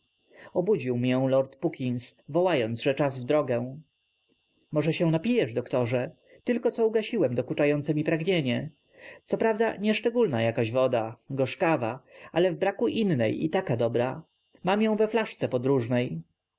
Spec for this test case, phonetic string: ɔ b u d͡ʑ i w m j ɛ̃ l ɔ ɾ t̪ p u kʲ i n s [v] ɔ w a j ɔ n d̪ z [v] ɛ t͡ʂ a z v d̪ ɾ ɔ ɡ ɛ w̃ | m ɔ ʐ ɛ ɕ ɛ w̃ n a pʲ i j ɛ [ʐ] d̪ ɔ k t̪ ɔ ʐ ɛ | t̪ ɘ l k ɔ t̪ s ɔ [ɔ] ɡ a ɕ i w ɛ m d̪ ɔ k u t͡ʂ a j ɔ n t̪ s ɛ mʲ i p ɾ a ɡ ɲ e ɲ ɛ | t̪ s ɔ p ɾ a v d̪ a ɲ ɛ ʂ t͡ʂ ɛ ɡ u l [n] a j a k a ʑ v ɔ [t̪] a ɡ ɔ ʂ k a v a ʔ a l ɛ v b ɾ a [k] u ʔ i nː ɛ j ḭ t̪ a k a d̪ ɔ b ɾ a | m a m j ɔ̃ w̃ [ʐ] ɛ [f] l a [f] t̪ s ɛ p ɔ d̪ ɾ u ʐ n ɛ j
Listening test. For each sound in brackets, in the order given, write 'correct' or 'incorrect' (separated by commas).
correct, incorrect, correct, incorrect, correct, incorrect, correct, incorrect, correct, incorrect